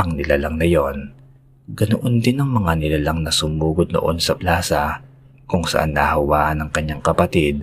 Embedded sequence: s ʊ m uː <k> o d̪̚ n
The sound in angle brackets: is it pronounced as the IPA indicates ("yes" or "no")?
no